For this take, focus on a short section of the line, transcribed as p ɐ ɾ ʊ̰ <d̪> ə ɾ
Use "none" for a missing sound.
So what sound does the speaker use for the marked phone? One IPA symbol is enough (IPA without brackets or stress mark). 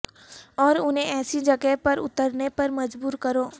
t̪